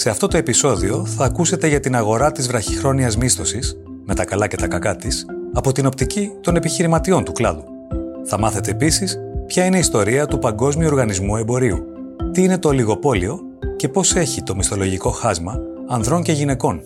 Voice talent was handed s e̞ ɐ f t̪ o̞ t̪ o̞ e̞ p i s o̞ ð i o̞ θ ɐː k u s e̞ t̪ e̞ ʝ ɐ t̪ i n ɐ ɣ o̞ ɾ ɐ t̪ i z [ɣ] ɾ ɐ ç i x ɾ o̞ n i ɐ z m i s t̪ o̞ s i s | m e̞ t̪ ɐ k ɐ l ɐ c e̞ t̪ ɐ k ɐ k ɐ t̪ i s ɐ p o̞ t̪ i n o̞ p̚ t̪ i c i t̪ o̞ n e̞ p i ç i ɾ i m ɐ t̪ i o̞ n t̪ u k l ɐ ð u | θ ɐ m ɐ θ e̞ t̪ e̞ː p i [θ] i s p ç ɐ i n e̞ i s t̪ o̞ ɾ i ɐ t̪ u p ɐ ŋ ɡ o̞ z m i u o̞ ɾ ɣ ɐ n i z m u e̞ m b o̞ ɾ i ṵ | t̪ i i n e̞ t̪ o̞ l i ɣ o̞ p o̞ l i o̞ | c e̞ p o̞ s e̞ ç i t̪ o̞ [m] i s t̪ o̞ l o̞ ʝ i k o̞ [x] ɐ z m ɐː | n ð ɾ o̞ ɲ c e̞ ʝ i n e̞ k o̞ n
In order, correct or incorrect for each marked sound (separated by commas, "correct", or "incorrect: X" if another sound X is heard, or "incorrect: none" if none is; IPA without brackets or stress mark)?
incorrect: v, incorrect: s, correct, correct